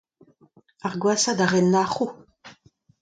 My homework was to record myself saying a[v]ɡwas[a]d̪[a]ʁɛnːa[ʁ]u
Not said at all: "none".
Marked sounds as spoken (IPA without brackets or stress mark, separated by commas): ʁ, a, a, χ